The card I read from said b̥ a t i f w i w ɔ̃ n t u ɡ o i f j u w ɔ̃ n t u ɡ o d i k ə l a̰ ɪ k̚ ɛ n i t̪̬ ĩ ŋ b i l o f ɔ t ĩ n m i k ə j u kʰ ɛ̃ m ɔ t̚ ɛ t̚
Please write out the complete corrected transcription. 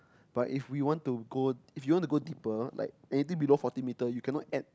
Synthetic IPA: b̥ a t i f w i w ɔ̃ n t u ɡ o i f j u w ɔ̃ n t u ɡ o d i p ə l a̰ ɪ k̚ ɛ n i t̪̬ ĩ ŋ b i l o f ɔ t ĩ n m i t ə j u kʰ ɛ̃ n ɔ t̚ ɛ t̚